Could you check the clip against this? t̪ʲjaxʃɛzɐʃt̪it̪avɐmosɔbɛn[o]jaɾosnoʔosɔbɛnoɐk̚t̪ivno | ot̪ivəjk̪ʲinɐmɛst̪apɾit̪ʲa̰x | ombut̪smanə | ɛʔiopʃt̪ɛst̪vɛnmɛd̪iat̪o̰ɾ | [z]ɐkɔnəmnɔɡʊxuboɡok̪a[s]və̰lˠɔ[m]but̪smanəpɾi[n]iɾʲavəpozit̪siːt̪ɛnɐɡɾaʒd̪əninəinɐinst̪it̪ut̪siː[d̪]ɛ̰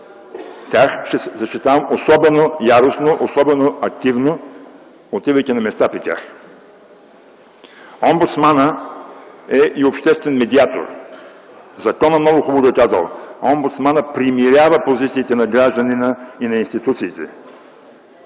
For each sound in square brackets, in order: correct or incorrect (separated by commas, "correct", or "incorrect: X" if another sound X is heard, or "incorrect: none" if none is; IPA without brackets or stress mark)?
correct, correct, incorrect: z, correct, incorrect: m, incorrect: t̪